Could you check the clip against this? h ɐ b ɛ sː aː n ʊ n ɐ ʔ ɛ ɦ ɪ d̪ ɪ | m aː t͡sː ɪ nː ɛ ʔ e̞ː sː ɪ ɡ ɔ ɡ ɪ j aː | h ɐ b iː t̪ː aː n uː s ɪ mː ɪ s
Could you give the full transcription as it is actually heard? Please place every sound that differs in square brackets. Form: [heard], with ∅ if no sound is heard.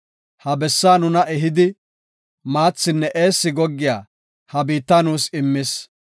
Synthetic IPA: h ɐ b ɛ sː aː n ʊ n ɐ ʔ ɛ ɦ ɪ d̪ ɪ | m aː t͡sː ɪ nː ɛ ʔ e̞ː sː ɪ ɡ ɔ [ɡː] ɪ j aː | h ɐ b iː t̪ː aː n uː s ɪ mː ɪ s

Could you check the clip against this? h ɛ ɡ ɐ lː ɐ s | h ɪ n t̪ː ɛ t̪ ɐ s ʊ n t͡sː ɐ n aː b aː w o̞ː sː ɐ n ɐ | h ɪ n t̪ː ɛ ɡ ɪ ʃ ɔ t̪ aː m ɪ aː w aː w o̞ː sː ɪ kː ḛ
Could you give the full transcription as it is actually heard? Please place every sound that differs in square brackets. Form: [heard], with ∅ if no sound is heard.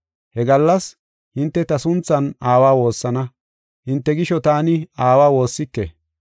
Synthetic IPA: h ɛ ɡ ɐ lː ɐ s | h ɪ n t̪ː ɛ t̪ ɐ s ʊ n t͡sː ɐ n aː [w] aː w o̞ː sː ɐ n ɐ | h ɪ n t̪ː ɛ ɡ ɪ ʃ ɔ t̪ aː [n] ɪ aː w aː w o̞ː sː ɪ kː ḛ

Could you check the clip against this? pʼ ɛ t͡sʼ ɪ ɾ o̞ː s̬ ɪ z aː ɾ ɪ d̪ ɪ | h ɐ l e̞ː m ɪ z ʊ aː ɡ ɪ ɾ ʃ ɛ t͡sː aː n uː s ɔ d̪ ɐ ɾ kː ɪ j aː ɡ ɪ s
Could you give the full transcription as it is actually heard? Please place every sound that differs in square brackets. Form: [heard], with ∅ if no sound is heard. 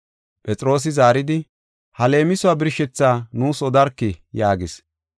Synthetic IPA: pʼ ɛ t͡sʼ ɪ ɾ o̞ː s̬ ɪ z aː ɾ ɪ d̪ ɪ | h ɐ l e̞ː m ɪ [s] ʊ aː [b] ɪ ɾ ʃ ɛ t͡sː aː n uː s ɔ d̪ ɐ ɾ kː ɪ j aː ɡ ɪ s

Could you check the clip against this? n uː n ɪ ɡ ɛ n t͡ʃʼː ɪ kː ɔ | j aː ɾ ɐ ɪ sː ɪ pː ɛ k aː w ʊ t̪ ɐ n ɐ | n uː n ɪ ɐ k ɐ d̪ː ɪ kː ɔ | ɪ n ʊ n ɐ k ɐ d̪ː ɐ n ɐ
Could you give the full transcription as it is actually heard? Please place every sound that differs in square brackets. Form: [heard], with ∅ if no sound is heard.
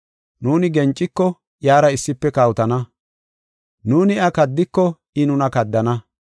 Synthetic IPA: n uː n ɪ ɡ ɛ n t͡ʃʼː ɪ kː ɔ | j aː ɾ ɐ ɪ sː ɪ pː ɛ k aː w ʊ t̪ ɐ n ɐ | n uː n ɪ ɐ k ɐ d̪ː ɪ kː ɔ | ɪ n ʊ n ɐ k ɐ d̪ː ɐ n ɐ

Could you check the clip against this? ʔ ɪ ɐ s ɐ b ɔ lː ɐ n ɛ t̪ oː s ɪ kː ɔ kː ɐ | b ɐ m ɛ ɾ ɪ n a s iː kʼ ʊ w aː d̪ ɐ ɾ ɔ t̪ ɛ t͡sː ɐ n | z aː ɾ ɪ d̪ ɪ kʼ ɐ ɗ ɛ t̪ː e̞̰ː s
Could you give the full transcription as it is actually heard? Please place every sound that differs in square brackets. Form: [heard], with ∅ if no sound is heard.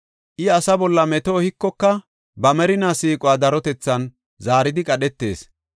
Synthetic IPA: ʔ ɪ ɐ s ɐ b ɔ lː ɐ [m] ɛ t̪ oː [h] ɪ kː ɔ kː ɐ | b ɐ m ɛ ɾ ɪ n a s iː kʼ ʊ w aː d̪ ɐ ɾ ɔ t̪ ɛ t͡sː ɐ n | z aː ɾ ɪ d̪ ɪ kʼ ɐ ɗ ɛ t̪ː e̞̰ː s

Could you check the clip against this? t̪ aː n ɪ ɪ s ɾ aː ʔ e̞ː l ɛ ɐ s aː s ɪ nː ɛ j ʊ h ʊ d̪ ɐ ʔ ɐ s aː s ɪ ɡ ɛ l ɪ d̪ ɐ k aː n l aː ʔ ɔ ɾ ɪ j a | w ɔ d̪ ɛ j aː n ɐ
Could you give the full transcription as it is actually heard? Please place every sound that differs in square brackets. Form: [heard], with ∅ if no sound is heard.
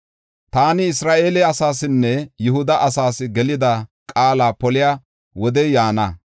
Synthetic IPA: t̪ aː n ɪ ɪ s ɾ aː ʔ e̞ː l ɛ ɐ s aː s ɪ nː ɛ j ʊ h ʊ d̪ ɐ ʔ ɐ s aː s ɪ ɡ ɛ l ɪ d̪ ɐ [kʼ] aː [∅] l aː [p] ɔ [l] ɪ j a | w ɔ d̪ ɛ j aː n ɐ

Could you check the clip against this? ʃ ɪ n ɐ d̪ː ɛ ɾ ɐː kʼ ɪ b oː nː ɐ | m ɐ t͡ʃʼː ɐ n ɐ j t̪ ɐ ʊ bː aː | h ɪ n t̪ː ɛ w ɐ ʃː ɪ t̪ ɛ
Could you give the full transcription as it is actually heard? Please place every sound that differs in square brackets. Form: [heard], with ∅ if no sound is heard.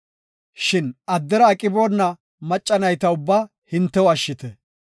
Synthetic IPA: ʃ ɪ n ɐ d̪ː ɛ ɾ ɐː kʼ ɪ b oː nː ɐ | m ɐ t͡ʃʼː ɐ n ɐ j t̪ ɐ ʊ bː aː | h ɪ n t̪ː ɛ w ɐ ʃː ɪ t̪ ɛ

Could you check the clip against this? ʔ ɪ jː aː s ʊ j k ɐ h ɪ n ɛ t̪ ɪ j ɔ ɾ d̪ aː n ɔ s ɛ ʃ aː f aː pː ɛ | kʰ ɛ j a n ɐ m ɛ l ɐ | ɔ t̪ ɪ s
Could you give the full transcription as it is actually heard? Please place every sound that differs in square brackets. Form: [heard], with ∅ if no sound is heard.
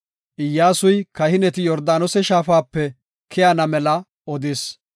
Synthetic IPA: ʔ ɪ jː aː s ʊ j k ɐ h ɪ n ɛ t̪ ɪ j ɔ ɾ d̪ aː n ɔ s ɛ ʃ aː f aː pː ɛ | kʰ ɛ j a n ɐ m ɛ l ɐ | ɔ [d̪] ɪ s

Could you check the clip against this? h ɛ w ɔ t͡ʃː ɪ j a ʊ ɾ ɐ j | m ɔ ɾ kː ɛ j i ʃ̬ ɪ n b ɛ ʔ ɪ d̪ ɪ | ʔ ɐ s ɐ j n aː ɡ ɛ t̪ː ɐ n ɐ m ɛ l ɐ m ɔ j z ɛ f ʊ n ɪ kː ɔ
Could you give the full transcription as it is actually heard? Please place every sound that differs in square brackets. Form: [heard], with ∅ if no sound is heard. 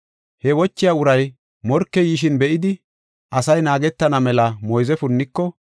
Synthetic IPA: h ɛ w ɔ t͡ʃː ɪ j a ʊ ɾ ɐ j | m ɔ ɾ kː ɛ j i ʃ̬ ɪ n b ɛ ʔ ɪ d̪ ɪ | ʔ ɐ s ɐ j n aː ɡ ɛ t̪ː ɐ n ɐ m ɛ l ɐ m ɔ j z ɛ f ʊ [nː] ɪ kː ɔ

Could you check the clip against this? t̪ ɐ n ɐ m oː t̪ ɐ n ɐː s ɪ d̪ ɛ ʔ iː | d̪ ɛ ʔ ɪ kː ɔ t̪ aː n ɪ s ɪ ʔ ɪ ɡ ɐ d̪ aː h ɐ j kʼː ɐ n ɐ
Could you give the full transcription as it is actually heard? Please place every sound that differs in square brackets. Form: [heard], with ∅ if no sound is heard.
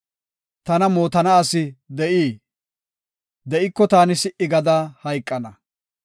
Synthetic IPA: t̪ ɐ n ɐ m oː t̪ ɐ n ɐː s ɪ d̪ ɛ ʔ iː | d̪ ɛ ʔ ɪ kː ɔ t̪ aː n ɪ s ɪ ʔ ɪ ɡ ɐ d̪ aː h ɐ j kʼː ɐ n ɐ

